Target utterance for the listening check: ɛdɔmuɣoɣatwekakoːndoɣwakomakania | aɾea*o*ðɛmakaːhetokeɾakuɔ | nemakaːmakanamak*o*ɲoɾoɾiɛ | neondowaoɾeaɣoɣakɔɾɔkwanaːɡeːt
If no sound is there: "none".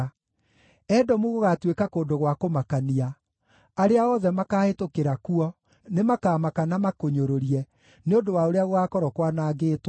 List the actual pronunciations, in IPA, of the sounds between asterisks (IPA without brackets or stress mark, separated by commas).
ɔ, o